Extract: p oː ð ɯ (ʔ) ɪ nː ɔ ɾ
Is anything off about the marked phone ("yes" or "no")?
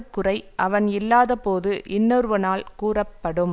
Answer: no